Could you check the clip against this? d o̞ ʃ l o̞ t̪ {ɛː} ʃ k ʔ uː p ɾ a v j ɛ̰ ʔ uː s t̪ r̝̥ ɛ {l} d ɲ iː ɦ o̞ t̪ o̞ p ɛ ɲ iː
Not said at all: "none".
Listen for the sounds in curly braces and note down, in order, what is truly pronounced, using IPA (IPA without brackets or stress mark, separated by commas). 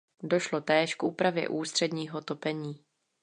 ɛː, none